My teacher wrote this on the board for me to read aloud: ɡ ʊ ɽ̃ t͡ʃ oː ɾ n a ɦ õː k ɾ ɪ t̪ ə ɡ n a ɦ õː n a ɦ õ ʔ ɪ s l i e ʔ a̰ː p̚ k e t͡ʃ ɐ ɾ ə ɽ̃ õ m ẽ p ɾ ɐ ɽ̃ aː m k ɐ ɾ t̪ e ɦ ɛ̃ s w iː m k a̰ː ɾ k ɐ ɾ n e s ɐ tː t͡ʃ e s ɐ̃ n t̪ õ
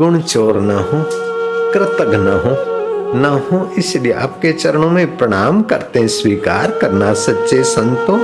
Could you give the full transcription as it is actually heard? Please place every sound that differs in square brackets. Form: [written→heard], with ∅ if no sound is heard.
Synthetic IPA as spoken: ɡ ʊ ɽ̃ t͡ʃ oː ɾ n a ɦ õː k ɾ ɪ t̪ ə ɡ n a ɦ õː n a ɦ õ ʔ ɪ s l i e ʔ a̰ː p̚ k e t͡ʃ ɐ ɾ ə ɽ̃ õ m ẽ p ɾ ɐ ɽ̃ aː m k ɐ ɾ t̪ e ɦ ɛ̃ s w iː [m→∅] k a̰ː ɾ k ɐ ɾ n [e→a] s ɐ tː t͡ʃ e s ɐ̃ n t̪ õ